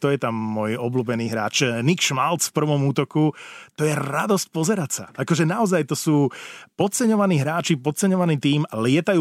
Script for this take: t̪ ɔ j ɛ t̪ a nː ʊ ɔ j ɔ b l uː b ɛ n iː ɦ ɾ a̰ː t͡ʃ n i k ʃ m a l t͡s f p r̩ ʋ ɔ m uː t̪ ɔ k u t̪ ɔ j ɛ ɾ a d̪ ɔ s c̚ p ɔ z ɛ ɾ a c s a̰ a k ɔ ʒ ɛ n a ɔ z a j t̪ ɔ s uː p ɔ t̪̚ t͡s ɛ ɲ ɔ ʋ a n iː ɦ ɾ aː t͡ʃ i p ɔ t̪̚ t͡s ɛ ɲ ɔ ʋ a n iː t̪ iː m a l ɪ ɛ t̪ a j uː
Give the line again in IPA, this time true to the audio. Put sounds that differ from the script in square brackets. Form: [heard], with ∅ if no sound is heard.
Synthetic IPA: t̪ ɔ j ɛ t̪ a [mː] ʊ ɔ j ɔ b l uː b ɛ n iː ɦ ɾ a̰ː t͡ʃ n i k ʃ m a l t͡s f p r̩ ʋ ɔ m uː t̪ ɔ k u t̪ ɔ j ɛ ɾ a d̪ ɔ s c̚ p ɔ z ɛ ɾ a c s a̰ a k ɔ ʒ ɛ n a ɔ z a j t̪ ɔ s uː p ɔ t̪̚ t͡s ɛ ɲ ɔ ʋ a n iː ɦ ɾ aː t͡ʃ i p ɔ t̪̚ t͡s ɛ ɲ ɔ ʋ a n iː t̪ iː m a l ɪ ɛ t̪ a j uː